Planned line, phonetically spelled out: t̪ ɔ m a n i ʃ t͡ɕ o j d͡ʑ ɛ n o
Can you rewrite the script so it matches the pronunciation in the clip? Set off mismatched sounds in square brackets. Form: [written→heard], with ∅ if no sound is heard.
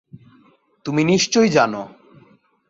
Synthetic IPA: t̪ [ɔ→u] m [a→i] n i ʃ t͡ɕ o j d͡ʑ [ɛ→a] n o